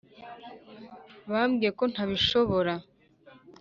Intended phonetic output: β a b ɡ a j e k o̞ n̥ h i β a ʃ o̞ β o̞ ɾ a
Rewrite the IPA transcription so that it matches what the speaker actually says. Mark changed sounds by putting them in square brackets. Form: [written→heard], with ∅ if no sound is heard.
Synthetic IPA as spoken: β a [b→m] ɡ [a→i] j e k o̞ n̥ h [i→a] β [a→i] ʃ o̞ β o̞ ɾ a